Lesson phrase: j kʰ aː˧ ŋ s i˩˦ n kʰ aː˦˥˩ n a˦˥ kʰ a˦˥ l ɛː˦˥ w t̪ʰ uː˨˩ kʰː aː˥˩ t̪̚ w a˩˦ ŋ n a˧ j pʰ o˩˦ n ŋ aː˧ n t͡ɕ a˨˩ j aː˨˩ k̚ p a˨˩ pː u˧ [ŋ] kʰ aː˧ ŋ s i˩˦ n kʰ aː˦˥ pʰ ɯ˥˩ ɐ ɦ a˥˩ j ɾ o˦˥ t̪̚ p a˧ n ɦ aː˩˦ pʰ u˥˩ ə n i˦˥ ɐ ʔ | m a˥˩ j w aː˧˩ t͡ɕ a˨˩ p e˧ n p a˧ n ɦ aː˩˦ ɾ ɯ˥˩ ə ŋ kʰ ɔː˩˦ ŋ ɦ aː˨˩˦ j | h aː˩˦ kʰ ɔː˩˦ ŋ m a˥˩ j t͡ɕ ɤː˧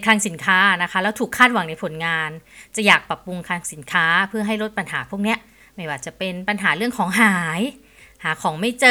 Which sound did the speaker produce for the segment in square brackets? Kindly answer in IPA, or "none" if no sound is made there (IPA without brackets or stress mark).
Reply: ŋ